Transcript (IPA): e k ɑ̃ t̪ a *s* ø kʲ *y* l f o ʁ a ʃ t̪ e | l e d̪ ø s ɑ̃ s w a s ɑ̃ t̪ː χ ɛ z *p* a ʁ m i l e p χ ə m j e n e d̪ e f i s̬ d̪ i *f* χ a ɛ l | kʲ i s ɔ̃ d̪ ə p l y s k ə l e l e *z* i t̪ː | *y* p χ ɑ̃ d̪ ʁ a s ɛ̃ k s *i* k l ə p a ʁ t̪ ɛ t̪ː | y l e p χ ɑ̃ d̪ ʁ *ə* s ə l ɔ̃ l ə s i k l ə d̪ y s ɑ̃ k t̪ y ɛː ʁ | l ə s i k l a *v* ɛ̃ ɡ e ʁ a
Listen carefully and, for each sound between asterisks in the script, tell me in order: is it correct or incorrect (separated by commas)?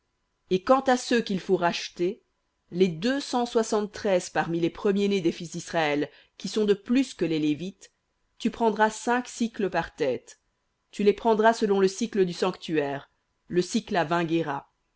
correct, incorrect, correct, incorrect, incorrect, correct, correct, incorrect, correct